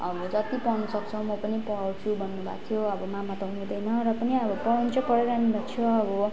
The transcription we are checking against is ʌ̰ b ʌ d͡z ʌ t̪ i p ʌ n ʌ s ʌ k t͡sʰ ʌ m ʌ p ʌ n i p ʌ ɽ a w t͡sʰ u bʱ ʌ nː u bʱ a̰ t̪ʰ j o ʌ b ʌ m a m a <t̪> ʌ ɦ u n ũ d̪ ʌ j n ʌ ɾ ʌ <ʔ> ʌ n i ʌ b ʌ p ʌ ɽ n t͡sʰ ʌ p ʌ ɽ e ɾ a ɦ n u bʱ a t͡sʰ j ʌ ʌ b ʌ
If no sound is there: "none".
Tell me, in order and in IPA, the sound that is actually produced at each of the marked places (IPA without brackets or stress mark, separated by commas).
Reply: t̪, p